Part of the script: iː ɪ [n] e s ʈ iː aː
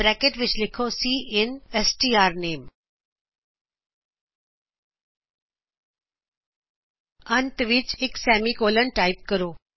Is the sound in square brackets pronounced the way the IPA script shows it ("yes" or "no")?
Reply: yes